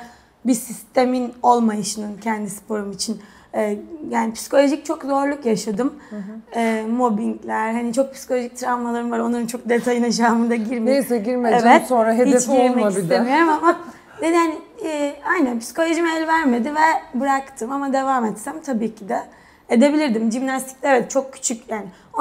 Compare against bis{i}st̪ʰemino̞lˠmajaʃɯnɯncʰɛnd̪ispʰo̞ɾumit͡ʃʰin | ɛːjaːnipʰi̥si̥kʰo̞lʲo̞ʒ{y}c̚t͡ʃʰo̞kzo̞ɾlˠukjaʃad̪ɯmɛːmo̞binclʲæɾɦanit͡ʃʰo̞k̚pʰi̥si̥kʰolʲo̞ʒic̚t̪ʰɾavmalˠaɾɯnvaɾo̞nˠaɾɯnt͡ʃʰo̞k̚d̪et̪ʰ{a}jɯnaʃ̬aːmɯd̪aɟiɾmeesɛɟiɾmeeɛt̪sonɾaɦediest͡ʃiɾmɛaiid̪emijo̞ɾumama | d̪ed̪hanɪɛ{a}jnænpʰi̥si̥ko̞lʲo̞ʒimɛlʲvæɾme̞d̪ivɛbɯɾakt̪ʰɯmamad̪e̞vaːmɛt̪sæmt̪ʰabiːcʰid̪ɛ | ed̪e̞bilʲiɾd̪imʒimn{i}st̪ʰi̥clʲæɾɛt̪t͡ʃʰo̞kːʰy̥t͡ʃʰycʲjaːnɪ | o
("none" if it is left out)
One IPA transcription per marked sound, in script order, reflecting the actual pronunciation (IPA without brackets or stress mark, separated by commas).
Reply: i, i, a, a, a